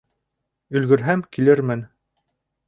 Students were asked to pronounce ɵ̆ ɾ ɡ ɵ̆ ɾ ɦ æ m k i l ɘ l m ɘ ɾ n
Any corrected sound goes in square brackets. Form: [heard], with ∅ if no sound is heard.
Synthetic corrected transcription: ɵ̆ [l] ɡ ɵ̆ ɾ ɦ æ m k i l ɘ [ɾ] m ɘ [∅] n